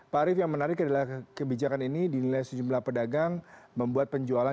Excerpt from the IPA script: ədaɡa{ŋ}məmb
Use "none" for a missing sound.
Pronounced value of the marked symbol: ŋ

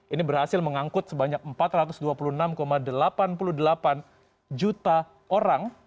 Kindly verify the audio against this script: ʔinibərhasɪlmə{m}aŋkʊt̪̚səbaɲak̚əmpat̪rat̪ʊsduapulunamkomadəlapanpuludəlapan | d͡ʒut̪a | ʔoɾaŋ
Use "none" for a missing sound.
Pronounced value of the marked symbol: ŋ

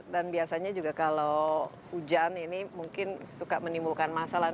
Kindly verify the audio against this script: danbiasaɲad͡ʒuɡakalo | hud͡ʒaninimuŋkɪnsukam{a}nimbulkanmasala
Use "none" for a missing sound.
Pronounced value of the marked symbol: ə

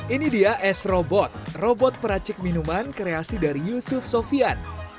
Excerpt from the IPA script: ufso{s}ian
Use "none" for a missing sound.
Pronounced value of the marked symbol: f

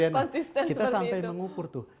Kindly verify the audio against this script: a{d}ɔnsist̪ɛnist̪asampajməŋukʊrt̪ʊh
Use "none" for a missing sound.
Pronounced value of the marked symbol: n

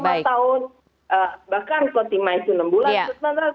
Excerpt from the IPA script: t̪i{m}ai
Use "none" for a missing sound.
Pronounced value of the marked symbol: m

